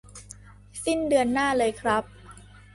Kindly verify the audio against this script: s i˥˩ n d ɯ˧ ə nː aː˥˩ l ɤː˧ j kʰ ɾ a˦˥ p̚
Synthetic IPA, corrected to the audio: s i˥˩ n d ɯ˧ ə nː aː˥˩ l ɤː˧ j kʰ ɾ a˦˥ p̚